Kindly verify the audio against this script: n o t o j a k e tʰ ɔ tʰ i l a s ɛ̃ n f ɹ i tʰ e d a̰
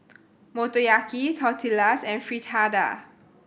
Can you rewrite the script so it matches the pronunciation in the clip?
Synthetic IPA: m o t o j a k i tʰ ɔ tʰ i l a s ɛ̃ n f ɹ i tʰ a d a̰